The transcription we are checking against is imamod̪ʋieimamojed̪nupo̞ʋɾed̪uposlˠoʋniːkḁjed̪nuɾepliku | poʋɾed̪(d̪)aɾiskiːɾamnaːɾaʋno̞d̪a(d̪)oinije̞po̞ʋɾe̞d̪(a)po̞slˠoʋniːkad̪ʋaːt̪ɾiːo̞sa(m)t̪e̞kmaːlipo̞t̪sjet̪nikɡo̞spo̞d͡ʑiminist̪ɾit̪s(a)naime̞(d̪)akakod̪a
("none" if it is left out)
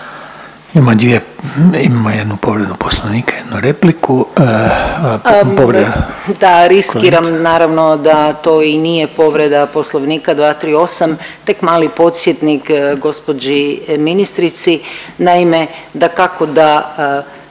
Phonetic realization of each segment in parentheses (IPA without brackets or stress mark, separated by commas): d̪, t̪, a, m, i, d̪